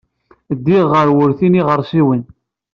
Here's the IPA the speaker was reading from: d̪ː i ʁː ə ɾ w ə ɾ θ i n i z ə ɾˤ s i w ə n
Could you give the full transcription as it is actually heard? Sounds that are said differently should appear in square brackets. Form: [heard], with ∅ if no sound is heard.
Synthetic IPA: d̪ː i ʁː ə ɾ w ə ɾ θ i n i [ʁ] ə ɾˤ s i w ə n